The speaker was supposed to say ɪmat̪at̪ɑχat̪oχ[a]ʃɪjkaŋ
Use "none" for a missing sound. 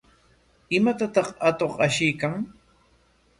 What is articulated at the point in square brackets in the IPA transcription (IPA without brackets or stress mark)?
a